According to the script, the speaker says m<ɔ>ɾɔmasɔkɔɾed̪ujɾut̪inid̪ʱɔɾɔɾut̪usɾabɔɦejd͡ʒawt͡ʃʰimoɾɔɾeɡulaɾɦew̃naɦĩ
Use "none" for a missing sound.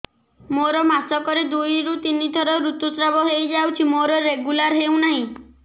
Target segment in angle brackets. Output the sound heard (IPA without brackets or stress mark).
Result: o